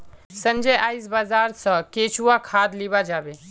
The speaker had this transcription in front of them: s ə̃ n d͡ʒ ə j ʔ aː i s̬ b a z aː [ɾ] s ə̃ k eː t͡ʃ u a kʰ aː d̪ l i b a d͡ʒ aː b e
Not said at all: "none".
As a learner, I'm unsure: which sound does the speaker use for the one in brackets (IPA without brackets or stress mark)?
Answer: ɾ